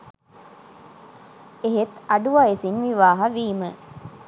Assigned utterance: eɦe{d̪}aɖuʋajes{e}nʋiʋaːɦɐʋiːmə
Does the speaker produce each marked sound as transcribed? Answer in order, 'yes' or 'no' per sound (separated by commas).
no, no